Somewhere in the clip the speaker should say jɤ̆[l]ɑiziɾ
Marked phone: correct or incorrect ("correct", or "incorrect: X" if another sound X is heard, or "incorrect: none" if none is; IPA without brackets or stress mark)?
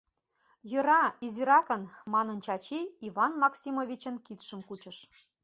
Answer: incorrect: ɾ